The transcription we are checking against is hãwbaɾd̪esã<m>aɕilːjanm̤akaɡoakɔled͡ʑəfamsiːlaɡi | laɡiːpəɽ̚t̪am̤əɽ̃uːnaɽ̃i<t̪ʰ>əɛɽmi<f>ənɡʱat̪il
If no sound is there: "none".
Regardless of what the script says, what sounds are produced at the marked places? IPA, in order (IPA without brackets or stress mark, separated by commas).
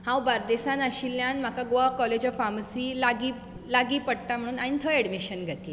n, t̪ʰ, ɕ